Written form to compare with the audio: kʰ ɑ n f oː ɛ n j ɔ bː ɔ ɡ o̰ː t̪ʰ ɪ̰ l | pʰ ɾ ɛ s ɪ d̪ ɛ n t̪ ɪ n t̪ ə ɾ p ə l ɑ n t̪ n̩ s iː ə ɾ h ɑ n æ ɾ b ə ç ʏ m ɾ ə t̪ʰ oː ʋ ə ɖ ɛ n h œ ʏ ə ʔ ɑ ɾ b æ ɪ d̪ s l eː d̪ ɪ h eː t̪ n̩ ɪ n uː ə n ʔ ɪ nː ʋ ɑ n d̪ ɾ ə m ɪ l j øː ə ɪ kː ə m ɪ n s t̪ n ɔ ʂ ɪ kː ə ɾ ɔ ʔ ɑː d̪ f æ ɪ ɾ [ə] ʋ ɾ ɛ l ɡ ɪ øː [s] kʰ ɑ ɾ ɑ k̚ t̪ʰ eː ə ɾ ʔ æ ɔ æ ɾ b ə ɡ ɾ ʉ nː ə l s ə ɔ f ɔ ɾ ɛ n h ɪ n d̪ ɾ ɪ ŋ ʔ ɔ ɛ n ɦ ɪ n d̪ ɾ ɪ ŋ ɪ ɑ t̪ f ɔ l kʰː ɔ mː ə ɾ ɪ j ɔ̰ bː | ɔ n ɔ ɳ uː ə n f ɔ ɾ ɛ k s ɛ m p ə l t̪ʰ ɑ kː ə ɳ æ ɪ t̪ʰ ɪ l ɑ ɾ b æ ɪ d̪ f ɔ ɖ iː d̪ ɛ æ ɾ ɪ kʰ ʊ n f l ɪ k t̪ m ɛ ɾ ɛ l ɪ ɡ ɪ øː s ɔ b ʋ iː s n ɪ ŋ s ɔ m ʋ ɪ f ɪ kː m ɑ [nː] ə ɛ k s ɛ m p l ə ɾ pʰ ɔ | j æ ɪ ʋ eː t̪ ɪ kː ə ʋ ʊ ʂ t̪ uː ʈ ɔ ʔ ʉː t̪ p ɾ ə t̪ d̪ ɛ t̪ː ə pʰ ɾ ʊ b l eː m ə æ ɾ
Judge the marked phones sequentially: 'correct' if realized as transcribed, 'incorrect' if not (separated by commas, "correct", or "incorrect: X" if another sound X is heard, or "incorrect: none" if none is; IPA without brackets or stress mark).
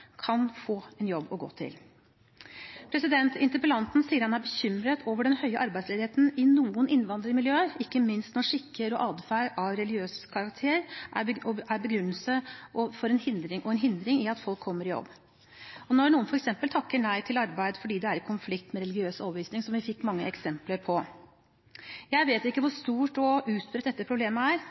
incorrect: ɑ, correct, incorrect: ŋː